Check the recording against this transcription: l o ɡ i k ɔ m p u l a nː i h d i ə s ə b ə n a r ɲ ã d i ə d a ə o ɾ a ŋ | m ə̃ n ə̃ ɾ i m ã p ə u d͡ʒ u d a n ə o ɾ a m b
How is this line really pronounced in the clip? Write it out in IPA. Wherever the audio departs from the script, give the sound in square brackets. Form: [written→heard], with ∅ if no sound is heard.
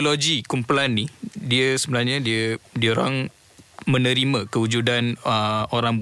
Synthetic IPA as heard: l o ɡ i k [ɔ→u] m p u l a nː i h d i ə s ə b ə n a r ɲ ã d i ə d [a→i] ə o ɾ a ŋ | m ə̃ n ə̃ ɾ i m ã [p→k] ə u d͡ʒ u d a n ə o ɾ a [m→ŋ] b